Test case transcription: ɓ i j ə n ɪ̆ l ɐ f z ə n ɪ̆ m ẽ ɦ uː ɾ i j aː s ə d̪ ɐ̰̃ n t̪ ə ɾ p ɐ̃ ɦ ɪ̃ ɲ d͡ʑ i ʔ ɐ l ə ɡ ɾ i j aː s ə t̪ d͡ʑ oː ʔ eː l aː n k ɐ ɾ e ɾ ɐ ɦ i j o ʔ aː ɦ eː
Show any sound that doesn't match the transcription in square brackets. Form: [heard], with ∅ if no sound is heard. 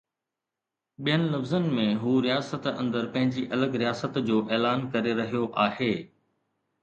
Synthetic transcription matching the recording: ɓ i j ə n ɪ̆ l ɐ f z ə n ɪ̆ m ẽ ɦ uː ɾ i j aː s ə [t̪] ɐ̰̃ n [d̪] ə ɾ p ɐ̃ ɦ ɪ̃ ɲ d͡ʑ i ʔ ɐ l ə ɡ ɾ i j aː s ə t̪ d͡ʑ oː ʔ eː l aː n k ɐ ɾ e ɾ ɐ ɦ i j o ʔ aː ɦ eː